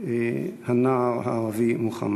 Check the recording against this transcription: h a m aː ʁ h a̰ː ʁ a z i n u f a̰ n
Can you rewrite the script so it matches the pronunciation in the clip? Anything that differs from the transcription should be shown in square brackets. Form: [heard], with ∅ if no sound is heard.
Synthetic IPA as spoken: h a [n] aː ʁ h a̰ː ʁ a [v] i [m] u [χ] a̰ [m]